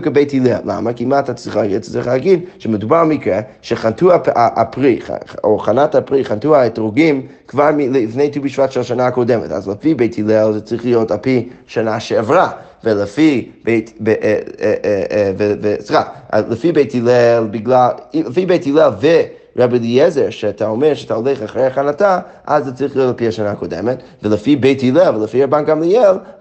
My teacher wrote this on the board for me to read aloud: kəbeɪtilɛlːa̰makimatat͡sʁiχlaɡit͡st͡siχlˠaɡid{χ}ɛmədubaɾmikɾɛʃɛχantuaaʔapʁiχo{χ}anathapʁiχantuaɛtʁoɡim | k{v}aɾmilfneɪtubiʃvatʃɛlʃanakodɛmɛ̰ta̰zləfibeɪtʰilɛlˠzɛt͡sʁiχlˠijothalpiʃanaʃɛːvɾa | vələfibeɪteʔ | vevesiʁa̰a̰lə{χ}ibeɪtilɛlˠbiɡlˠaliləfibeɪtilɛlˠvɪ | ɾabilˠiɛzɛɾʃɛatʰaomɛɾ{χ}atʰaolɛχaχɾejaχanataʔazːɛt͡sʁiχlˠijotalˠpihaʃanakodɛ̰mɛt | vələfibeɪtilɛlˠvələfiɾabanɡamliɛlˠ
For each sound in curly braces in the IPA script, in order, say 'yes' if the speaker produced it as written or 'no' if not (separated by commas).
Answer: no, yes, yes, no, no